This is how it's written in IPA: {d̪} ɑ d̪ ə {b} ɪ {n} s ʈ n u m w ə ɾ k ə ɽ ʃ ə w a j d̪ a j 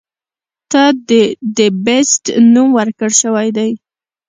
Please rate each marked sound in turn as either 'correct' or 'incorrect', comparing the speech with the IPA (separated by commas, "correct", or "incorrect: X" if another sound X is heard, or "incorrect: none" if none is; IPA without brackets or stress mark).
incorrect: t̪, correct, incorrect: none